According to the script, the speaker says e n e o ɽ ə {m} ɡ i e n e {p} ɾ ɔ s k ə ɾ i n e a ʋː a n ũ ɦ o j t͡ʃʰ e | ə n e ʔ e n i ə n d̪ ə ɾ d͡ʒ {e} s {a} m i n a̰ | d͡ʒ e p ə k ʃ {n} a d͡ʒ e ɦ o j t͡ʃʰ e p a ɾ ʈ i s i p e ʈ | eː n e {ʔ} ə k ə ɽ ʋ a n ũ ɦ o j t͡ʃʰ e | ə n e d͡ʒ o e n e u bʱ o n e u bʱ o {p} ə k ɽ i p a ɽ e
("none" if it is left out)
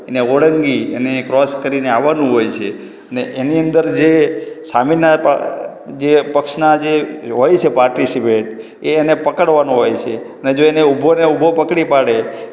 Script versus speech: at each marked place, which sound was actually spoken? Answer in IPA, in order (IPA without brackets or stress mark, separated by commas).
ŋ, k, e, a, n, p, p